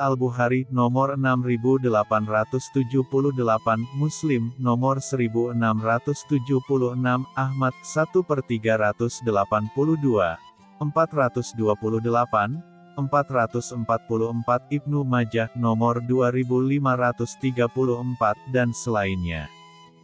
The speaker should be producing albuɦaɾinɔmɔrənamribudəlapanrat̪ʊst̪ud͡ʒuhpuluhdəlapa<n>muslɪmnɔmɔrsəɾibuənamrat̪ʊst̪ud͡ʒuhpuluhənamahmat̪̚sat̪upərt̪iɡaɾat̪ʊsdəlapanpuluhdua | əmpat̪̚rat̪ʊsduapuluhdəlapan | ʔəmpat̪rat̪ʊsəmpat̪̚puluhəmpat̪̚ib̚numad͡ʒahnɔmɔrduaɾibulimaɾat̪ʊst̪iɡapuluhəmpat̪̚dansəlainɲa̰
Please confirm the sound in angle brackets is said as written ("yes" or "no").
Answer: yes